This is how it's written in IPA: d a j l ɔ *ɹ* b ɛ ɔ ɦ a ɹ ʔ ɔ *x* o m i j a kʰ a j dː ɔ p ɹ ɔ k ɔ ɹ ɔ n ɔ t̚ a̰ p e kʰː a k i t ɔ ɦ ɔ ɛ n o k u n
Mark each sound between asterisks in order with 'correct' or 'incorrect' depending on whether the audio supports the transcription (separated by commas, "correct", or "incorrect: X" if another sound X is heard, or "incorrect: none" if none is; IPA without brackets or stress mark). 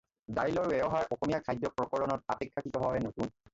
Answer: correct, correct